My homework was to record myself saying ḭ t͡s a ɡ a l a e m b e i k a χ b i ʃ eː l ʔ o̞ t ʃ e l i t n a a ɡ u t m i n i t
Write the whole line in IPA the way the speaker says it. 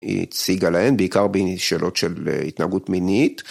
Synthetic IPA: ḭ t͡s i ɡ a l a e n b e i k a ʁ b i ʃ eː l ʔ o̞ t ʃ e l i t n a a ɡ u t m i n i t